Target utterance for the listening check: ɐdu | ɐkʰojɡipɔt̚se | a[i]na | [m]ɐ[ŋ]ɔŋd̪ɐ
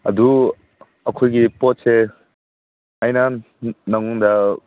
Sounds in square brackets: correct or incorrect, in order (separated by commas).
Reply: incorrect, incorrect, correct